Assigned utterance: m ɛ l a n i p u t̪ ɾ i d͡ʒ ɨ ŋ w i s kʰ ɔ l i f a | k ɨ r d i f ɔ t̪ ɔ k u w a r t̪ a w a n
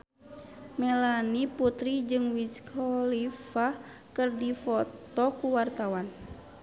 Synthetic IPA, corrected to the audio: m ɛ l a n i p u t̪ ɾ i d͡ʒ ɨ ŋ w i s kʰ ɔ l i f a | k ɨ r d i f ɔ t̪ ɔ k u w a r t̪ a w a n